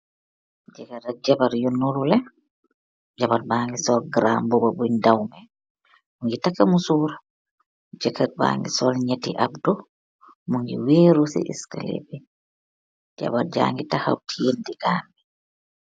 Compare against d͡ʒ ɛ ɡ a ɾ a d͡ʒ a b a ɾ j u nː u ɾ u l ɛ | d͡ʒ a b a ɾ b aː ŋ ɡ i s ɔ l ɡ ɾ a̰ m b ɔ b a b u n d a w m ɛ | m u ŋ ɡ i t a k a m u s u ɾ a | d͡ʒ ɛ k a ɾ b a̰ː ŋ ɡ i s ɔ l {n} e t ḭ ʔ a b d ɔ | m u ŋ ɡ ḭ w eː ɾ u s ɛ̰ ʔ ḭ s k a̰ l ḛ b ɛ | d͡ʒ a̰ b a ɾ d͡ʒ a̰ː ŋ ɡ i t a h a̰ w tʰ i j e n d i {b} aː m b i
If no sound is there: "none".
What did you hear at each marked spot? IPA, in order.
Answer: ɲ, ɡ

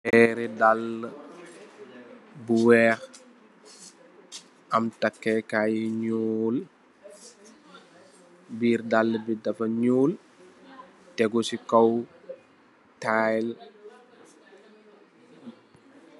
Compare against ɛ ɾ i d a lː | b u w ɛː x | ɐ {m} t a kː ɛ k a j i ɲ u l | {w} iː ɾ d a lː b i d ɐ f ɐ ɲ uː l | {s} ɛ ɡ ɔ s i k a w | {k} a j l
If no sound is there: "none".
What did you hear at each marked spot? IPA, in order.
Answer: m, b, t, t

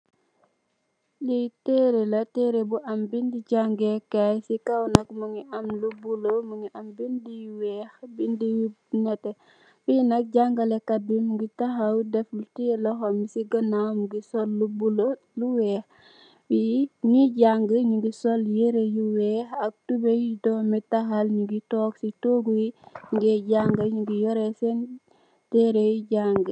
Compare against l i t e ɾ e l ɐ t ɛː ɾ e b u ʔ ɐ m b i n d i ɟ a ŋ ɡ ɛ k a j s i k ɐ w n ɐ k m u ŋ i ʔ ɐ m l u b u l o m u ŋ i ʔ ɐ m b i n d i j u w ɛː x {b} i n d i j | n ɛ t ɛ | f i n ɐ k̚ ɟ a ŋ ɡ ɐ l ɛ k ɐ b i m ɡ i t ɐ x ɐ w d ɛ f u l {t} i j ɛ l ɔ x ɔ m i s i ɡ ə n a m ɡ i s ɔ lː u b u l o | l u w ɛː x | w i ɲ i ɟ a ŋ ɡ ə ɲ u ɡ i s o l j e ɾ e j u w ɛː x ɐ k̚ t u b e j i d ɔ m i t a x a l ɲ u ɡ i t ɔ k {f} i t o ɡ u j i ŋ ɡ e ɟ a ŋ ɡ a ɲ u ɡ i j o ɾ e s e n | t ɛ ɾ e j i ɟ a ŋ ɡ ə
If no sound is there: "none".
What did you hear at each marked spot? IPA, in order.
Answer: b, t, s

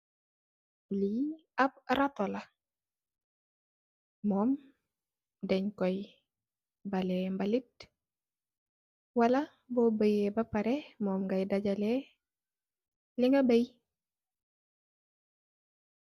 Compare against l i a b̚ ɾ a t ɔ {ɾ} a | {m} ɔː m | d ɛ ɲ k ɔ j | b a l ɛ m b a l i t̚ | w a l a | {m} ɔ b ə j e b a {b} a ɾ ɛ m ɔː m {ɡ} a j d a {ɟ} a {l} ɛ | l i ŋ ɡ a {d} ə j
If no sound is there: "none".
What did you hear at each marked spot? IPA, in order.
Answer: l, m, b, p, ɡ, ɟ, l, b

